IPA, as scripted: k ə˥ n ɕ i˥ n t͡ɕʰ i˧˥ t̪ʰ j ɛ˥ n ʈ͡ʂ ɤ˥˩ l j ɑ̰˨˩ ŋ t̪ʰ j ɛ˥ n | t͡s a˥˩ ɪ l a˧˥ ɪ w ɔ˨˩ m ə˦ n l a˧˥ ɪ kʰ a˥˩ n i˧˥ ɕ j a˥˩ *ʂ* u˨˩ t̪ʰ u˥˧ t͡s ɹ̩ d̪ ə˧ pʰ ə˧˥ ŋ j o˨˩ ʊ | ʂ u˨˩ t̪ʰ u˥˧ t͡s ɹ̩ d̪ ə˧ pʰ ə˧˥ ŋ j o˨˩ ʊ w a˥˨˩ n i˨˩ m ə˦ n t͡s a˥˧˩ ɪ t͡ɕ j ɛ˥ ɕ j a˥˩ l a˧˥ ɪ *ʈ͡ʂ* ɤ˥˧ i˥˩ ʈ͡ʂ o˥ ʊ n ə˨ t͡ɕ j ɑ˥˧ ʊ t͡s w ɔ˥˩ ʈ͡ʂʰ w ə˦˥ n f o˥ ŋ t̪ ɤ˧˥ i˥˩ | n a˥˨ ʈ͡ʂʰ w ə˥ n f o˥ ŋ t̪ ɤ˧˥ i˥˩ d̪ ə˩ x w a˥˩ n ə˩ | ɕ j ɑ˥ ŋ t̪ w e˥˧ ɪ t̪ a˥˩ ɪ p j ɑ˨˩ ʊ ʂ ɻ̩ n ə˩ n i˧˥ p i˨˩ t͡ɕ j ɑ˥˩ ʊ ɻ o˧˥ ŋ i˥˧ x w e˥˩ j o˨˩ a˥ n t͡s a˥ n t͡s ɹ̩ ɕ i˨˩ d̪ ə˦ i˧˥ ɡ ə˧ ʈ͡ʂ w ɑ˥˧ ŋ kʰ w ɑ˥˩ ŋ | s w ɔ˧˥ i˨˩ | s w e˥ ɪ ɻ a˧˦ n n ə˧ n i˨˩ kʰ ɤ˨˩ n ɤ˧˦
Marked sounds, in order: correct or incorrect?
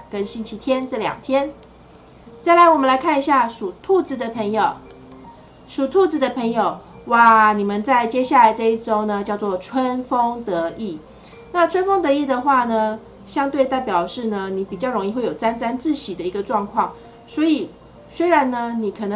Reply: correct, correct

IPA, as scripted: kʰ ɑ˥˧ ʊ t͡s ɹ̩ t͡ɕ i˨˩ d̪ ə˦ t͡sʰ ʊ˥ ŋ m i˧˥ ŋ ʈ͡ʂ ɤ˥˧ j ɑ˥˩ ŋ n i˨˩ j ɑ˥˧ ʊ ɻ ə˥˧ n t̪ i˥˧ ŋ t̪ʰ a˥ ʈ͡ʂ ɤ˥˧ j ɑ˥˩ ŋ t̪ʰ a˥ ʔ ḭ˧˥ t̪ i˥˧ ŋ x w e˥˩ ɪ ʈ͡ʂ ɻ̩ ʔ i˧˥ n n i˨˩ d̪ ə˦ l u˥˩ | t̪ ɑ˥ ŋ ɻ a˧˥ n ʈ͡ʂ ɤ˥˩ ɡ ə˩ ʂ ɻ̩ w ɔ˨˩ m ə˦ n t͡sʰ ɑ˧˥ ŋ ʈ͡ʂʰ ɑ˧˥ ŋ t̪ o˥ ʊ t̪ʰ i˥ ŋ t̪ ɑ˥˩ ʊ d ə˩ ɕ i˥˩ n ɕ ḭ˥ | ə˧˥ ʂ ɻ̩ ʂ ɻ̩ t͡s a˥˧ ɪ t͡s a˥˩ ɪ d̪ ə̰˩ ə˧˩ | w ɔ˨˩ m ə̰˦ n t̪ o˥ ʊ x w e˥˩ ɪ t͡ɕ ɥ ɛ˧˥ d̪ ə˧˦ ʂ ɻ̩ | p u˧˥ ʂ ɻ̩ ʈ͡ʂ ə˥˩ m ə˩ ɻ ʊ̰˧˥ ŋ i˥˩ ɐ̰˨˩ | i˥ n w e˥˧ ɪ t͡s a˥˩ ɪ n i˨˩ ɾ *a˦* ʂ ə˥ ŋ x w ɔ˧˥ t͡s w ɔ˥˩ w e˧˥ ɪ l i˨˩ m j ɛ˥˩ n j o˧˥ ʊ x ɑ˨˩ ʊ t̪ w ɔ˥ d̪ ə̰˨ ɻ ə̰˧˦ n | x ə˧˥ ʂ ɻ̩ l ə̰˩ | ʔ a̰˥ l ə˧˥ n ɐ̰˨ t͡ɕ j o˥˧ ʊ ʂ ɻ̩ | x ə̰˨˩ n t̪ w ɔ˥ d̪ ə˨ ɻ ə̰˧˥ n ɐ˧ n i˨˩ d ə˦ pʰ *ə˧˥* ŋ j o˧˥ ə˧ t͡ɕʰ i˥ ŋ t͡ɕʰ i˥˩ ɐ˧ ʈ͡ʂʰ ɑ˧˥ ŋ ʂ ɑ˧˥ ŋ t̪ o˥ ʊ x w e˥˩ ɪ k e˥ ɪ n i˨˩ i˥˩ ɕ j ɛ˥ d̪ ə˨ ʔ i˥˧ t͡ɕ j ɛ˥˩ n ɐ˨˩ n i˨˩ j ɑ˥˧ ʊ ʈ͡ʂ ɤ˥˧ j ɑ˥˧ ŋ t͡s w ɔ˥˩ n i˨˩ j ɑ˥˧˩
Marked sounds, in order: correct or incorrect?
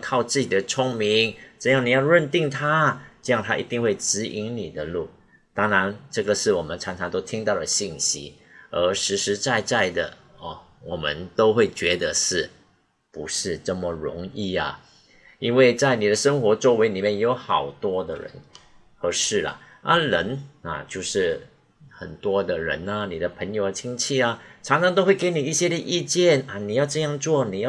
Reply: incorrect: ə˦, correct

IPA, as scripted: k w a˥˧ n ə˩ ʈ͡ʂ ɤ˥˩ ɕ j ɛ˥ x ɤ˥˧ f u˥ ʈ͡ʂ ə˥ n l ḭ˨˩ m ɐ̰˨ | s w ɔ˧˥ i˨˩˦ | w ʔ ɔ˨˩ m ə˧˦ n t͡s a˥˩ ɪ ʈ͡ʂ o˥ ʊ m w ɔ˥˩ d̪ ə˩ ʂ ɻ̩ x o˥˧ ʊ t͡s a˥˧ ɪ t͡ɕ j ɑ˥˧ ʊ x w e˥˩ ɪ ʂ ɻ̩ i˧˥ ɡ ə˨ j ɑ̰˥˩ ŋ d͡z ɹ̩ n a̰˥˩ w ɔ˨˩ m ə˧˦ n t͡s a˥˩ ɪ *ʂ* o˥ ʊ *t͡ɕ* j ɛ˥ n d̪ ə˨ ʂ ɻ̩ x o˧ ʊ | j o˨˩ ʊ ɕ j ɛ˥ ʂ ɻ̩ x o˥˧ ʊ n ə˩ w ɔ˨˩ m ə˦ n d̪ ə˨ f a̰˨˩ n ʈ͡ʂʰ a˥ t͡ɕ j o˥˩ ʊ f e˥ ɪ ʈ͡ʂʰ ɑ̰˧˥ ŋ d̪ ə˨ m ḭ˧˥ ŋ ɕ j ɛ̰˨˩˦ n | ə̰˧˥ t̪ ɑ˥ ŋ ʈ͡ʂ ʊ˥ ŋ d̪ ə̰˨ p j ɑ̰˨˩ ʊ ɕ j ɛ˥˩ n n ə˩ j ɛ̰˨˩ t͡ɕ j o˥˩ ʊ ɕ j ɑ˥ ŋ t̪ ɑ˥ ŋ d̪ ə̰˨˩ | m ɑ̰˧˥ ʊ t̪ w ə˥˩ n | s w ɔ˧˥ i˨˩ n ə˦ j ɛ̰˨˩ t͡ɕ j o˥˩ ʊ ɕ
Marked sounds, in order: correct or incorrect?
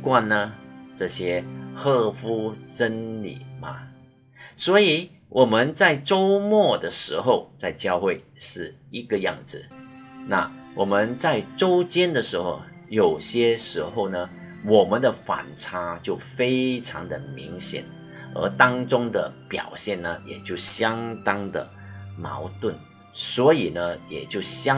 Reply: incorrect: ʈ͡ʂ, correct

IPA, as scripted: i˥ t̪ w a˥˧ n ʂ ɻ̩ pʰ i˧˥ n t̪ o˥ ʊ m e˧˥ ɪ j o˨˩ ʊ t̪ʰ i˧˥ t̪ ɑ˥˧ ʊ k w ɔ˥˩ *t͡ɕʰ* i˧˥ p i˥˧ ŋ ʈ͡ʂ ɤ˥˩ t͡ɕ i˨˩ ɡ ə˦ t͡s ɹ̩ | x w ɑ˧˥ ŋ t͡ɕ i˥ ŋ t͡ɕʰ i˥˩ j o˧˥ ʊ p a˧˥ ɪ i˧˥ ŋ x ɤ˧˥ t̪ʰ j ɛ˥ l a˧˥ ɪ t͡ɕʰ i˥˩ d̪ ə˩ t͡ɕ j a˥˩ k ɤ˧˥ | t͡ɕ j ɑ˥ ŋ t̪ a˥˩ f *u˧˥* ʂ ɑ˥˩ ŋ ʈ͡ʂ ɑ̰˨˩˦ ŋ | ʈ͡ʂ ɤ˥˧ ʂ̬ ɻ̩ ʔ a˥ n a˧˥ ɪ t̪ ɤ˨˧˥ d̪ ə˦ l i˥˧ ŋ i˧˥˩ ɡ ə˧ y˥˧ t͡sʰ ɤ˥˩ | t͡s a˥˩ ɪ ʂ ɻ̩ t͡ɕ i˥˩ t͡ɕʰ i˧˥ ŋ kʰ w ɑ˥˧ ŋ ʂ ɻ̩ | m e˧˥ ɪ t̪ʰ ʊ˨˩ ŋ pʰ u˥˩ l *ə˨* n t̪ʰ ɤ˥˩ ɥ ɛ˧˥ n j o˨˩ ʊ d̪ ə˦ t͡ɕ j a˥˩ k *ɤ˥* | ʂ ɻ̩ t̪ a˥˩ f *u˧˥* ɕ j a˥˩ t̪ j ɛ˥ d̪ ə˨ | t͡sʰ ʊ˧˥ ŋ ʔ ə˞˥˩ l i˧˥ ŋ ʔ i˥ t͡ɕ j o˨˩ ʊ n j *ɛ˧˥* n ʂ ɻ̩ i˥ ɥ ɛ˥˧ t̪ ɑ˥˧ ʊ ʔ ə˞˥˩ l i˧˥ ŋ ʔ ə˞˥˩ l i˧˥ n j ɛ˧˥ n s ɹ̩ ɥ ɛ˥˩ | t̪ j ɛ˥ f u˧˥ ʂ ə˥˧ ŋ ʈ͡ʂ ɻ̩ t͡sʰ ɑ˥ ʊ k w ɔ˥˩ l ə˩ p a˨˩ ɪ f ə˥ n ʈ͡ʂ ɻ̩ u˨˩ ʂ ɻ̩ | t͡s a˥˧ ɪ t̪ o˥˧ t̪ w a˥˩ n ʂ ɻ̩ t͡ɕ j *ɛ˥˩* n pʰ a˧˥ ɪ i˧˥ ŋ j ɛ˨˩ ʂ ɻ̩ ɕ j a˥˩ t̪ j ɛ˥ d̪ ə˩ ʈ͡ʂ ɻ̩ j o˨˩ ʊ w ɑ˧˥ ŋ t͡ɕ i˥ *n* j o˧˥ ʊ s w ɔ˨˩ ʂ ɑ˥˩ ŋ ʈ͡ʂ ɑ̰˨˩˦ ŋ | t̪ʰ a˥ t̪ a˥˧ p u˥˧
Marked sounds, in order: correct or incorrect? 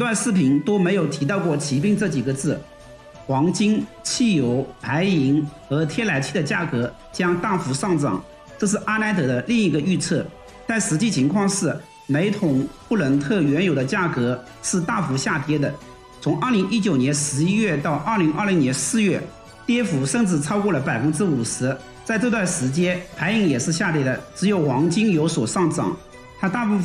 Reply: correct, correct, incorrect: ə˧˥, incorrect: ɤ˧˥, correct, correct, incorrect: ɛ˥, incorrect: ŋ

